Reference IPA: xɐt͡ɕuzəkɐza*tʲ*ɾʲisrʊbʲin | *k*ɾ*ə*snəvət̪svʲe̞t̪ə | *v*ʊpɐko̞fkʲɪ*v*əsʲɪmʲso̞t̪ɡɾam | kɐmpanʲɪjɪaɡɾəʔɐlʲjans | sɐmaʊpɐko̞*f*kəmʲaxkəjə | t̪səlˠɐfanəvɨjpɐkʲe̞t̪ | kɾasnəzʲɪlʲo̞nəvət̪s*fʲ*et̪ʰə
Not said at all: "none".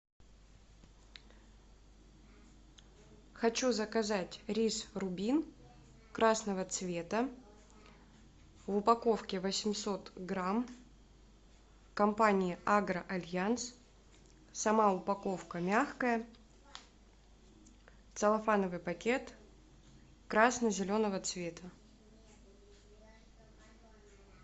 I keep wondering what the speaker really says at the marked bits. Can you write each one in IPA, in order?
tʲ, k, a, v, v, f, vʲ

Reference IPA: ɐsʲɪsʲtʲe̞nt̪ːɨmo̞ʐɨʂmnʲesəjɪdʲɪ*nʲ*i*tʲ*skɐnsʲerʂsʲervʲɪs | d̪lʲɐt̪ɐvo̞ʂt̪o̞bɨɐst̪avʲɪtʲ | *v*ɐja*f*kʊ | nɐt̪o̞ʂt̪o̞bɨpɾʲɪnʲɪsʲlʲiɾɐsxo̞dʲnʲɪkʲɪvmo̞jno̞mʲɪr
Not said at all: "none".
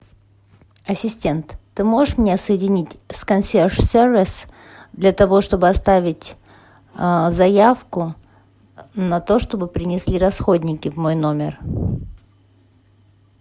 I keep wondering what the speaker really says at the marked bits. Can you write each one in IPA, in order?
nʲ, tʲ, z, f

